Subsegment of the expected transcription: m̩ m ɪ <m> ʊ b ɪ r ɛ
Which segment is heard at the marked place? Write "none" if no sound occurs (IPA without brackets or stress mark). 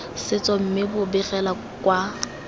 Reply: b